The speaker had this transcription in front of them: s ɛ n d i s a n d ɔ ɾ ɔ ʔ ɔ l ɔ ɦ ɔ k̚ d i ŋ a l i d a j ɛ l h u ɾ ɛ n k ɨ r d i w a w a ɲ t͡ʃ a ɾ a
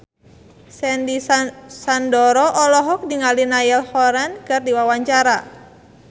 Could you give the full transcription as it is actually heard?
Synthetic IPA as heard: s ɛ n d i s a n d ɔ ɾ ɔ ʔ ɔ l ɔ ɦ ɔ k̚ d i ŋ a l i n a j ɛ l h ɔ ɾ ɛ n k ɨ r d i w a w a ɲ t͡ʃ a ɾ a